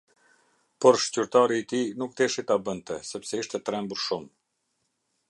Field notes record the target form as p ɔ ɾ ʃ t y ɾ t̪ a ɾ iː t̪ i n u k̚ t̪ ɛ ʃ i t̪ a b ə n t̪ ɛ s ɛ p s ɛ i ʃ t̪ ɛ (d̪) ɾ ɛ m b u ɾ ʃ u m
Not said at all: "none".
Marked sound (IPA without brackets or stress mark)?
t̪